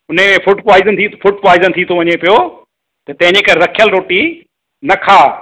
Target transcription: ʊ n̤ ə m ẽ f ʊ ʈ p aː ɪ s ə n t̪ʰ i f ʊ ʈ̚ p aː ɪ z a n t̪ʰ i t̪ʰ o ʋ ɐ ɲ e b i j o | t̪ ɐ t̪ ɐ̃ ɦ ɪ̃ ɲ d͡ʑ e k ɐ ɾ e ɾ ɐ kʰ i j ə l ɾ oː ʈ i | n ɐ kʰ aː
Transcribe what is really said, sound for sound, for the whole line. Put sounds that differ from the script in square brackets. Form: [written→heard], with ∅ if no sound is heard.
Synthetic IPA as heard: ʊ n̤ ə m ẽ f ʊ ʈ p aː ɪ [s→z] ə n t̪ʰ i f ʊ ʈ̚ p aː ɪ z [a→ə] n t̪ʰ i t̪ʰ o ʋ ɐ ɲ e [b→p] i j o | t̪ ɐ t̪ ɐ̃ ɦ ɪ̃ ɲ d͡ʑ e k ɐ ɾ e ɾ ɐ kʰ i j ə l ɾ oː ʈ i | n ɐ kʰ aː